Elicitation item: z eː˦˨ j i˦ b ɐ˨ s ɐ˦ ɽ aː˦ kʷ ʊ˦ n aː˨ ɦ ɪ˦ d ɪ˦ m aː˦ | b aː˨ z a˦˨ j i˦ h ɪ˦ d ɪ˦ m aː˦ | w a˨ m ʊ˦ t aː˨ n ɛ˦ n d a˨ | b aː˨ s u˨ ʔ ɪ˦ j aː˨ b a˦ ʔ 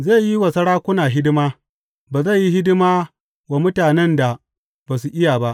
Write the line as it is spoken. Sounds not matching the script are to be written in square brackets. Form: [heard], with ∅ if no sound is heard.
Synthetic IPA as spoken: z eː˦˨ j i˦ [w] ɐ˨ s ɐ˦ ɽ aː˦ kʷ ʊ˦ n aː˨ ɦ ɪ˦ d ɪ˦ m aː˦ | b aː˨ z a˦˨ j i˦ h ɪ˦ d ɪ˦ m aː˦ | w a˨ m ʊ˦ t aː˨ n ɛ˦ n d a˨ | b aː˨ s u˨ ʔ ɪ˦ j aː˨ b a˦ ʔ